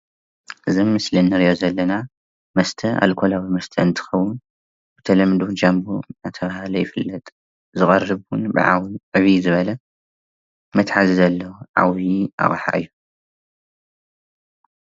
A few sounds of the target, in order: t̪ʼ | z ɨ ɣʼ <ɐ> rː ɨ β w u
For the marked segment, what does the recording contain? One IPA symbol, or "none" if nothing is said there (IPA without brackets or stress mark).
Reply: ɐ